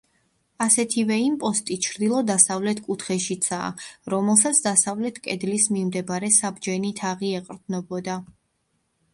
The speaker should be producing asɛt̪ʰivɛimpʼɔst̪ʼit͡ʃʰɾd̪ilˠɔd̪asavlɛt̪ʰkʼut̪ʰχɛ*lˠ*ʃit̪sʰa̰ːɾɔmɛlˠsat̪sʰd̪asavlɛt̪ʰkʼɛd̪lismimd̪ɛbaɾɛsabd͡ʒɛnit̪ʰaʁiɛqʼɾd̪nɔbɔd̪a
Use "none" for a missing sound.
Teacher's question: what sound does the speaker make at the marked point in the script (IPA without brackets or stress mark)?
none